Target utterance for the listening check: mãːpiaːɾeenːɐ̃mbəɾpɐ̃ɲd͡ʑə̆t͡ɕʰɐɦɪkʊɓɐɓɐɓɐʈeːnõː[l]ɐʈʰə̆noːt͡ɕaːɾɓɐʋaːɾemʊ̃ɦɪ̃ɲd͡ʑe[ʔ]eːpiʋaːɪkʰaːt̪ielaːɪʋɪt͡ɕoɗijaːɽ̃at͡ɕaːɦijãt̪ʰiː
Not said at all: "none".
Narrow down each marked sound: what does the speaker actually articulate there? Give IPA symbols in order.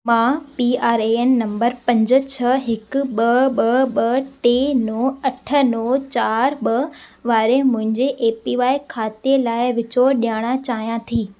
none, ʔ

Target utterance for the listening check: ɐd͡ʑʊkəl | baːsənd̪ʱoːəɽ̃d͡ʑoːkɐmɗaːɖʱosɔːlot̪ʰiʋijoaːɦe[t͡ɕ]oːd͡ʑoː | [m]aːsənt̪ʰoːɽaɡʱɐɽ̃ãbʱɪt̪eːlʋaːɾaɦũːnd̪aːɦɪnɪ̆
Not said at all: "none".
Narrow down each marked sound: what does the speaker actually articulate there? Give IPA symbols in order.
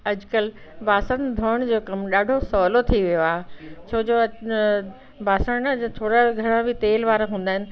t͡ɕʰ, b

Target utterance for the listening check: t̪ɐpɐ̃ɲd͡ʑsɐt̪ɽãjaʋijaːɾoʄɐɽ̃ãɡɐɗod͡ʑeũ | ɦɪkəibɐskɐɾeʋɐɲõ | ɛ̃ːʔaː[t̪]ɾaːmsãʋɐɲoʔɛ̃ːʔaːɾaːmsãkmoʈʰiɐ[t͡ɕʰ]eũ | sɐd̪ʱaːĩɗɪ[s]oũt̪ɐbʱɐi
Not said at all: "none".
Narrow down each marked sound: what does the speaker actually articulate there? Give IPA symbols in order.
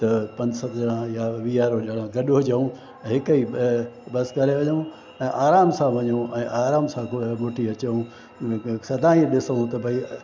none, t͡ɕ, s

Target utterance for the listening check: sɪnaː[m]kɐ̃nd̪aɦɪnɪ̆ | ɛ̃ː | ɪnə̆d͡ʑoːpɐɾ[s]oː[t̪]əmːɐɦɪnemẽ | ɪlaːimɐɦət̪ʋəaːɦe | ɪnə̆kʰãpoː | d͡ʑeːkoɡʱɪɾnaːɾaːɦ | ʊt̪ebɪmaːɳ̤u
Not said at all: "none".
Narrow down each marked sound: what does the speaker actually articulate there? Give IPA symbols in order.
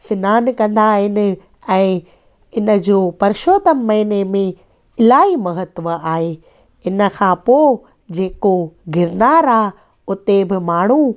n, ʃ, t̪

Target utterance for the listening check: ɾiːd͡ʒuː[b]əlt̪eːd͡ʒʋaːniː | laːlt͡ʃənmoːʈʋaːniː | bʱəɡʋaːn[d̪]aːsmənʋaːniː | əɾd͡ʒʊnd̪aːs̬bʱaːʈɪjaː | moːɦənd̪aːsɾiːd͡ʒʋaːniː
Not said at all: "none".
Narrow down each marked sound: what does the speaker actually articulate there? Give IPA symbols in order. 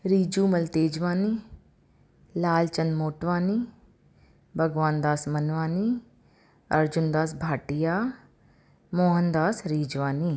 m, d̪

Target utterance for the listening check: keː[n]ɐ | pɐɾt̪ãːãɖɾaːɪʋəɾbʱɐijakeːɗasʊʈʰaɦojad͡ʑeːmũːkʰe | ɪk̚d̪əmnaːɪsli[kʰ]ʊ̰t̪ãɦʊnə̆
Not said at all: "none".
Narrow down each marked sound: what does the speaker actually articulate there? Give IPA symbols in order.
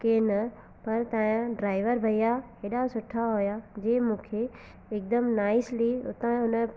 n, none

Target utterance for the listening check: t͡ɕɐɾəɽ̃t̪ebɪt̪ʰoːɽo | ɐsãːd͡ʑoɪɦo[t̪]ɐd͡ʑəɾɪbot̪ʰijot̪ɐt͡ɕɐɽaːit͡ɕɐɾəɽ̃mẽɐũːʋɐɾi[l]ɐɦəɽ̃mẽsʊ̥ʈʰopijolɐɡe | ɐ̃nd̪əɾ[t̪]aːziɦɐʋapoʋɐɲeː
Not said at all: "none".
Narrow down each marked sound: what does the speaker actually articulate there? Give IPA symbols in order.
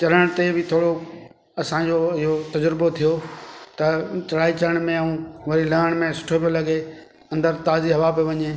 t̪, l, t̪

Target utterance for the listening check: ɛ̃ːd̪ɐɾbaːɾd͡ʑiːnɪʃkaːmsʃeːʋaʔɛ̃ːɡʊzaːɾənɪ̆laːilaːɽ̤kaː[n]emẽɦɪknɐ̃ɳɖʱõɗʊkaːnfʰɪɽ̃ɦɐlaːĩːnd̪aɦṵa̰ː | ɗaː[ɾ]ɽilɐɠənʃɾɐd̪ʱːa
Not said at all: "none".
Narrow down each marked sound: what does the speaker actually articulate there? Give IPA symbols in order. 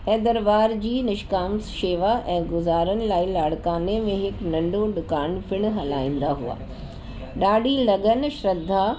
n, none

